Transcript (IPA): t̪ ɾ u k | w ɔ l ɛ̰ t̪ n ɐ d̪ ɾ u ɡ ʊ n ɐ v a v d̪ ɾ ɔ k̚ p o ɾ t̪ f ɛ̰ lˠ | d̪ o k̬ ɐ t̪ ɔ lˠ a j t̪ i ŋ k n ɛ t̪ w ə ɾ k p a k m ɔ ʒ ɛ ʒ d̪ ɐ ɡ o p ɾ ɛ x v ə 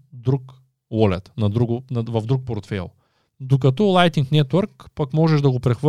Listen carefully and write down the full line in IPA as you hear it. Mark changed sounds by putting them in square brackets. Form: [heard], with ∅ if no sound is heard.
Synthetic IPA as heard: [d̪] ɾ u k | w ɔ l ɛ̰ t̪ n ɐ d̪ ɾ u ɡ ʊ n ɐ v [ɐ] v d̪ ɾ [u] k̚ p o ɾ t̪ f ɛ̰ lˠ | d̪ o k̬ ɐ t̪ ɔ lˠ a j t̪ i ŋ k n ɛ t̪ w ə ɾ k p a k m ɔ ʒ ɛ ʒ d̪ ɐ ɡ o p ɾ ɛ x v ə